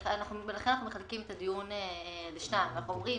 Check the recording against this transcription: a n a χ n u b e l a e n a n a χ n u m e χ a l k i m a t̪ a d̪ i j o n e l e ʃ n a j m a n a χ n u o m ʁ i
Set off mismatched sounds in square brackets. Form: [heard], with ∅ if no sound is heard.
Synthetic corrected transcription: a n a χ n u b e l a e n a n a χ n u m e χ a l k i m [e] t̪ a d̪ i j [u] n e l e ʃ n a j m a n a χ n u o m ʁ i